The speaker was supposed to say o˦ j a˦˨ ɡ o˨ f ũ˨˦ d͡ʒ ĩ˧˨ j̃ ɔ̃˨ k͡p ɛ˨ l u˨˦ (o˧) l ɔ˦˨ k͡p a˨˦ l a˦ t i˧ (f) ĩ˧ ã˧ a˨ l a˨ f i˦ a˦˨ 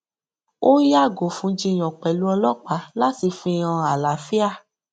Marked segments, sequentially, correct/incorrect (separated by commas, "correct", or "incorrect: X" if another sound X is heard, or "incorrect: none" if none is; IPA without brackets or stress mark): incorrect: ɔ˧, correct